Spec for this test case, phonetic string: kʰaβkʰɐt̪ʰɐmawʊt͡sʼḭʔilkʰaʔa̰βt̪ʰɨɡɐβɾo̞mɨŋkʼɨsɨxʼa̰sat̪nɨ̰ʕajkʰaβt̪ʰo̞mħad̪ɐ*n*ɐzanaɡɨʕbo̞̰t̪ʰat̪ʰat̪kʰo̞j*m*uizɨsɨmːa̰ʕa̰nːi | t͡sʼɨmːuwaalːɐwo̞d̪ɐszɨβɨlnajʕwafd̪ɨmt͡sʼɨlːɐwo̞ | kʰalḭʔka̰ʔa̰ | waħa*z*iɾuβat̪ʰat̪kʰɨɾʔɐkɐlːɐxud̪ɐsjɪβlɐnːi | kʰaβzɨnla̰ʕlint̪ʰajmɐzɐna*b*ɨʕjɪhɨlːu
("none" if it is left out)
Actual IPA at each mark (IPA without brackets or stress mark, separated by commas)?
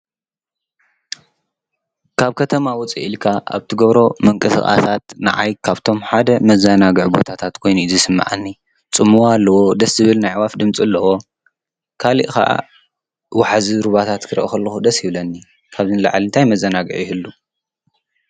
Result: m, n, z, ɡ